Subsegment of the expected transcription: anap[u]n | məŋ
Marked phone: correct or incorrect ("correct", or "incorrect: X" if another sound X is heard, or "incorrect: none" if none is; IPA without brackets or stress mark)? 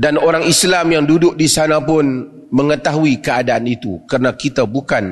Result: incorrect: ʊ